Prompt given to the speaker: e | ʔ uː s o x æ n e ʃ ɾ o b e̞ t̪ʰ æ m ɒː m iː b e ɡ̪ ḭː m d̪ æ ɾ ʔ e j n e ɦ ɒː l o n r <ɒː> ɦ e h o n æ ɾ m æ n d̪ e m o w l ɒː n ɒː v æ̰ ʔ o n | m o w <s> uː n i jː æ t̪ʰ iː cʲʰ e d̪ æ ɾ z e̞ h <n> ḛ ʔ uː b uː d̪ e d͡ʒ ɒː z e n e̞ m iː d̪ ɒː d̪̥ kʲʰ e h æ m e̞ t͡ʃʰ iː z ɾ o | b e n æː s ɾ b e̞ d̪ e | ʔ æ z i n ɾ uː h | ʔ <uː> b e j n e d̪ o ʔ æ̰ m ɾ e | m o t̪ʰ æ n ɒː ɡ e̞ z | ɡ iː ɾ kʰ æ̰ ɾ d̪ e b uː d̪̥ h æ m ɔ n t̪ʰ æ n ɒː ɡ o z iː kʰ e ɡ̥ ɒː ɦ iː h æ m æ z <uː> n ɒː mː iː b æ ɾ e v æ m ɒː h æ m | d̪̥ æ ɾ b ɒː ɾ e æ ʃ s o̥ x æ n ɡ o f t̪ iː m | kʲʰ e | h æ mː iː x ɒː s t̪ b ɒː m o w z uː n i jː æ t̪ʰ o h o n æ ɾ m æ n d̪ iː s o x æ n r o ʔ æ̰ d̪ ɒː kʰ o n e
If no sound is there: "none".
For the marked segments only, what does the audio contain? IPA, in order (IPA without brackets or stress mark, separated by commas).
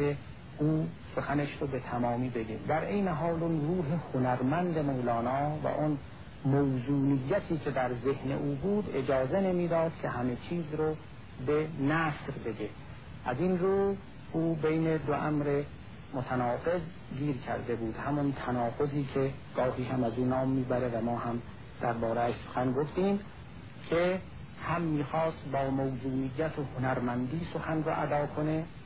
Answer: uː, z, n, uː, uː